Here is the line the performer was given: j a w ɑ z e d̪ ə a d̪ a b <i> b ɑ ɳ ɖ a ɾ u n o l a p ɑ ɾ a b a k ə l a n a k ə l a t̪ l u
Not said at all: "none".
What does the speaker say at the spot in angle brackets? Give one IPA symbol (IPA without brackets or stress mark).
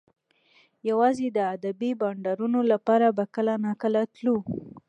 i